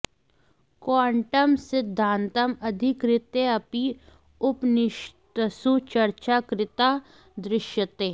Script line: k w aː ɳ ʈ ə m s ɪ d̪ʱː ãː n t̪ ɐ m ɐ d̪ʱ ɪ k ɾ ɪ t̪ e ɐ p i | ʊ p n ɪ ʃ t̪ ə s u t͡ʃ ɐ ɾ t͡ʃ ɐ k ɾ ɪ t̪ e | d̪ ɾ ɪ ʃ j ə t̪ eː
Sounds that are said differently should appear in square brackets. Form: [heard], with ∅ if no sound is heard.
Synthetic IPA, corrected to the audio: k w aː ɳ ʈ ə m s ɪ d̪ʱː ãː n t̪ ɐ m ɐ d̪ʱ ɪ k ɾ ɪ t̪ e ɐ p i | ʊ p n ɪ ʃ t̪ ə s u t͡ʃ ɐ ɾ t͡ʃ [a] k ɾ ɪ t̪ [a] | d̪ ɾ ɪ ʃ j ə t̪ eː